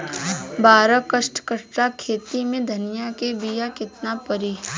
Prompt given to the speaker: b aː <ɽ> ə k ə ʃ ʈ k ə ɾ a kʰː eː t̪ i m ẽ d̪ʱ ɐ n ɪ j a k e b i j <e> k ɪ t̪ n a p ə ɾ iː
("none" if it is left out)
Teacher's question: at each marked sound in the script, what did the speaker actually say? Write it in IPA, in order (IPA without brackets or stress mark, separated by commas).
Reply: ɾ, a